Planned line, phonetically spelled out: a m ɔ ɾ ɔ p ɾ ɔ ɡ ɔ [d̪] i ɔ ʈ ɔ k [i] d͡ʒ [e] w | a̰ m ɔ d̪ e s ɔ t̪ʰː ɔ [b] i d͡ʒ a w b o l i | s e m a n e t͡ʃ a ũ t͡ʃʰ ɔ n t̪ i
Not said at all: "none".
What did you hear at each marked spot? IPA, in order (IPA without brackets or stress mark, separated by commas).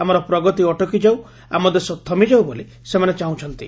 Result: t̪, i, a, m